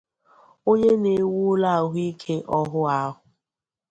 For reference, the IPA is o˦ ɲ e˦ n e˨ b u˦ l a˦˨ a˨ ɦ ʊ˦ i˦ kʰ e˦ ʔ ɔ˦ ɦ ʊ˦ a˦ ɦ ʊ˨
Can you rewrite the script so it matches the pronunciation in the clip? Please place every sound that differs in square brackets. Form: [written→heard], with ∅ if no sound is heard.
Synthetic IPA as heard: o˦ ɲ e˦ n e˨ [b→w] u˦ l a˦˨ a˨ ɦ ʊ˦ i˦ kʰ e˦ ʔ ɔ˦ ɦ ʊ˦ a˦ ɦ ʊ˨